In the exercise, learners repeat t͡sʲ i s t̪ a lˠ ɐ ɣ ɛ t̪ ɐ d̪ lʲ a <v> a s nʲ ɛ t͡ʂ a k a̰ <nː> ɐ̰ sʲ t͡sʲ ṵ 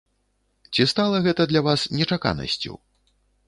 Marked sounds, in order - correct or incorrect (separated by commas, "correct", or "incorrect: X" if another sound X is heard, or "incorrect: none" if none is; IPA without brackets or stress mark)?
correct, incorrect: n